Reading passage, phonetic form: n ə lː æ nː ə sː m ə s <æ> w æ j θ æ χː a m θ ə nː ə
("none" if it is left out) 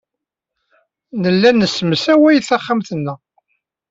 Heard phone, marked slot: æ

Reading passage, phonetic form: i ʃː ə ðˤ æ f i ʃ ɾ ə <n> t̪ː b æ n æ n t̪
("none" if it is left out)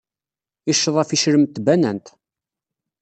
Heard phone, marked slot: m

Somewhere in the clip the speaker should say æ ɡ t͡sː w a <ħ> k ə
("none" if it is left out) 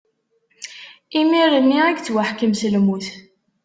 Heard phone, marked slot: ħ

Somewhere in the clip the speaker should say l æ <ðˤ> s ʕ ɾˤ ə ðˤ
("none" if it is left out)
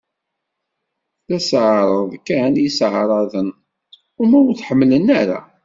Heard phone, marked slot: none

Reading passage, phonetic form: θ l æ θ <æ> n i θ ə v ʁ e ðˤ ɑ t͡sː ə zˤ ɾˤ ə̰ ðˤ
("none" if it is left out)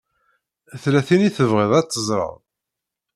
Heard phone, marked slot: i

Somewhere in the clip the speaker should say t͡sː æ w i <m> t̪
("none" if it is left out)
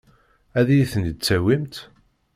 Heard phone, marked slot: m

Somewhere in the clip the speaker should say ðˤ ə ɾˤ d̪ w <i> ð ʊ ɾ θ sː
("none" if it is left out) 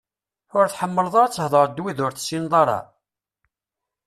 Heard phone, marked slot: i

